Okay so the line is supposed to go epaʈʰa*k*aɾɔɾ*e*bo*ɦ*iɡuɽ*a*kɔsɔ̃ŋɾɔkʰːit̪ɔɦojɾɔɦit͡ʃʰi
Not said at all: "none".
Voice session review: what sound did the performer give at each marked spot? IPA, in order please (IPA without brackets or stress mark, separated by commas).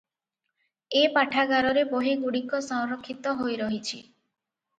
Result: ɡ, e, ɦ, i